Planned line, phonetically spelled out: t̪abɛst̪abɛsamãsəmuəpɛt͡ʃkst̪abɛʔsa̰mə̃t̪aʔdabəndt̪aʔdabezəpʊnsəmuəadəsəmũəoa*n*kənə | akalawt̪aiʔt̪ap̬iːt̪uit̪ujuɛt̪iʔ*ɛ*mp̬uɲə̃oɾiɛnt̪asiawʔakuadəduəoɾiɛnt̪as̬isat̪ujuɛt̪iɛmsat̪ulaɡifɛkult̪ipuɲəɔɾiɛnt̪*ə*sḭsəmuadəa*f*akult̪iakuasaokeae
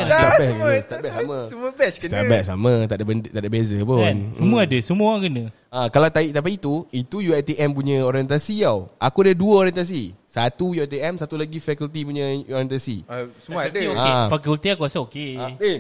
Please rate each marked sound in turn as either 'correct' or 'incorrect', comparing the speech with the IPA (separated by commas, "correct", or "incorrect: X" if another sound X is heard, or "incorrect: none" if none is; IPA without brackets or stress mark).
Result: incorrect: ŋ, correct, incorrect: a, correct